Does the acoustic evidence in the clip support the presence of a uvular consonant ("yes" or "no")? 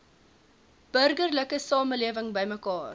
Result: no